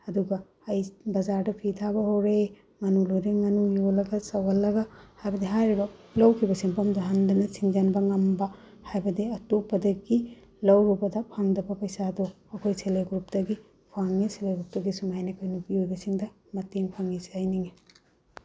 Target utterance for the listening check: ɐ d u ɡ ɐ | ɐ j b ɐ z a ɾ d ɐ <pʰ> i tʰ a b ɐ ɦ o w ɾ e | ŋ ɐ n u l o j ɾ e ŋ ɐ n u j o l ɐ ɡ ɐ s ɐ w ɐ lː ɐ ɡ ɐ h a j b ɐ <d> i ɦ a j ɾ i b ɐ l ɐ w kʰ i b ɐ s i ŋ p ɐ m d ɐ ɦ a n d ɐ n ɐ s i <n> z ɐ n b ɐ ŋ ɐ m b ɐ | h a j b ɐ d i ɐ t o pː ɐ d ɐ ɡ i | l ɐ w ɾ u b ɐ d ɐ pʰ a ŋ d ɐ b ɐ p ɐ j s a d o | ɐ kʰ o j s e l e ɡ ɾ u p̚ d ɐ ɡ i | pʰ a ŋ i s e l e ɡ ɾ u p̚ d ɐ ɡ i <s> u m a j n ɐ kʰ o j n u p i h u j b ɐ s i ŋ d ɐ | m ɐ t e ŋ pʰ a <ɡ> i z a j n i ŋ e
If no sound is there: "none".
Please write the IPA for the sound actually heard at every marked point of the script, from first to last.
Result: pʰ, d, ŋ, s, ŋ

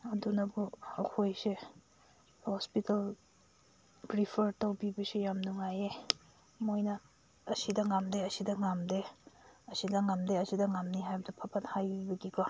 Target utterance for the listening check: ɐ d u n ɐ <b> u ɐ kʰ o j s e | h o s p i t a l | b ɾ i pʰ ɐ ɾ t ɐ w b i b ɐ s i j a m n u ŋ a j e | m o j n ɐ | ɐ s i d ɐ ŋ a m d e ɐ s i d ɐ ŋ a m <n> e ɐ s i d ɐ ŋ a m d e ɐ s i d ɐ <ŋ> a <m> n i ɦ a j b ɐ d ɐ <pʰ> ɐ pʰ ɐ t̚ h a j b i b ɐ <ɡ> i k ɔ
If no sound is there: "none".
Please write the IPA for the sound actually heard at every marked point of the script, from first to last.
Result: b, d, ŋ, m, pʰ, ɡ

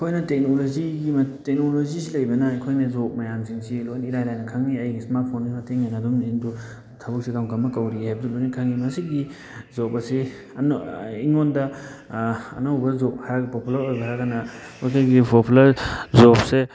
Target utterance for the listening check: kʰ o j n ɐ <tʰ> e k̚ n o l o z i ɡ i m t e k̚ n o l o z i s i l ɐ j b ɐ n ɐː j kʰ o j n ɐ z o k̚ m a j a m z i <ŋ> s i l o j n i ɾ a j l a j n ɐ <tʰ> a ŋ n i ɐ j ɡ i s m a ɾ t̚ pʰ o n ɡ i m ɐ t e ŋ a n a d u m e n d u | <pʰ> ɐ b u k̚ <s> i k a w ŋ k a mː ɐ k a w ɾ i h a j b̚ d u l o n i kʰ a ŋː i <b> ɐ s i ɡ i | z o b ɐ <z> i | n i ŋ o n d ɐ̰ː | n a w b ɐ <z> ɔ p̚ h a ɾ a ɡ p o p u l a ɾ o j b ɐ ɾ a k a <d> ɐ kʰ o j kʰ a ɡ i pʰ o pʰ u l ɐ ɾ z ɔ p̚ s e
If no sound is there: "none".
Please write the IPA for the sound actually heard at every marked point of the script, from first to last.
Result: t, ŋ, kʰ, tʰ, s, m, s, z, n

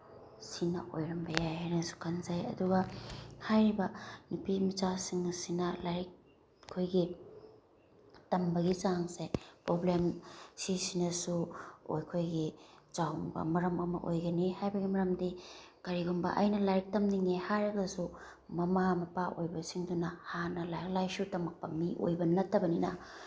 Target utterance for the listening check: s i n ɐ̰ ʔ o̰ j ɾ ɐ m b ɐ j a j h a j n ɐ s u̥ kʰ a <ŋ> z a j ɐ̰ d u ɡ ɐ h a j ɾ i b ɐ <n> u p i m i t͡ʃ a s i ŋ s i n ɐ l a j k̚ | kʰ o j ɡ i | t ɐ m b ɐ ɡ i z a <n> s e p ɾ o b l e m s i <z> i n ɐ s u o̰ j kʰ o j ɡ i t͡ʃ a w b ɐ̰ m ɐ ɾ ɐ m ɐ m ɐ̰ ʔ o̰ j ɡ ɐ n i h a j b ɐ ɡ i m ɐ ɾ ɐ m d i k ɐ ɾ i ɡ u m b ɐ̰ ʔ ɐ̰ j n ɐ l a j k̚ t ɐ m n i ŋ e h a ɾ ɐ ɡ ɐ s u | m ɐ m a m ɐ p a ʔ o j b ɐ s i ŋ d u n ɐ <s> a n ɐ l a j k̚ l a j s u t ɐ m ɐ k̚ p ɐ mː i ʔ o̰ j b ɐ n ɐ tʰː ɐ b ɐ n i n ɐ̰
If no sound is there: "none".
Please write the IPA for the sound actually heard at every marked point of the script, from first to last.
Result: n, n, ŋ, s, h

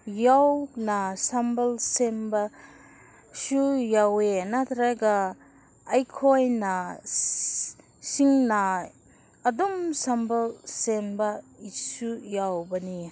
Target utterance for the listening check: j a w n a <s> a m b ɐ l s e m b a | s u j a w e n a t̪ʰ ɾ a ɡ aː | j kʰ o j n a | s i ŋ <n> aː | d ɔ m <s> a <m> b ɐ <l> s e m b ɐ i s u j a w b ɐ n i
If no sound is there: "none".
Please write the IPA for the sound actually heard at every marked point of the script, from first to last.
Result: s, n, s, m, l

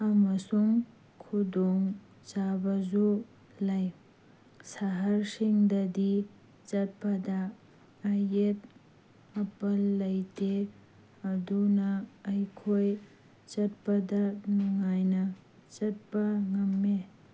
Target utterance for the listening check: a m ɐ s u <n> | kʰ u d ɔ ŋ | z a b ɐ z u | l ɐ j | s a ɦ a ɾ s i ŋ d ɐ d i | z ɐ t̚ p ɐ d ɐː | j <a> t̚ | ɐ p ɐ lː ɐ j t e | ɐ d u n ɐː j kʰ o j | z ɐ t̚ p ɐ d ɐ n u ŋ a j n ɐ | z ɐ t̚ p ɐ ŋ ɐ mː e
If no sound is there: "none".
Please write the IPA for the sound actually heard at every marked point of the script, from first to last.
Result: ŋ, e

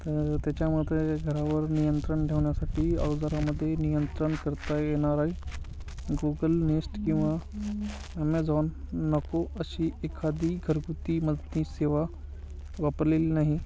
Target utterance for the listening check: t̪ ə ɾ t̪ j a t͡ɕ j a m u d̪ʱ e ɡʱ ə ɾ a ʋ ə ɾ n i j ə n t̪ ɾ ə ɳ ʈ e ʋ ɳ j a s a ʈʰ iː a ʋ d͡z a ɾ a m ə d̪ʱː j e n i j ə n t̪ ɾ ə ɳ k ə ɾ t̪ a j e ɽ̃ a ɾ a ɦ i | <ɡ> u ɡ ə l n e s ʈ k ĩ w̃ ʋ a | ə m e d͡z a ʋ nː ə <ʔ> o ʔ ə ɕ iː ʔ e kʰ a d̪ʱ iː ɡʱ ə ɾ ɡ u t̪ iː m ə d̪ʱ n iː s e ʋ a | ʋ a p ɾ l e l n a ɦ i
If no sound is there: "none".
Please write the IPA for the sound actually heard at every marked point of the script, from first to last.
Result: ɡ, k

